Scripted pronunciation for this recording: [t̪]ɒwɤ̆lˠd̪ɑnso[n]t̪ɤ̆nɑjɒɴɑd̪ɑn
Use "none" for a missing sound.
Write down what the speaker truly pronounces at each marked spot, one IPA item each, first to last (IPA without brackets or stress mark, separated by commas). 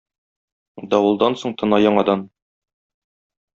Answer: d̪, ɴ